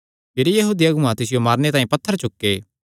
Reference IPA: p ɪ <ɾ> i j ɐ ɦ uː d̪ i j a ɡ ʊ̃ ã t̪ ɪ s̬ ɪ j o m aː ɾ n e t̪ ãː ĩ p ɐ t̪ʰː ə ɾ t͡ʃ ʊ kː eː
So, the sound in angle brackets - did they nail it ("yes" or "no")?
yes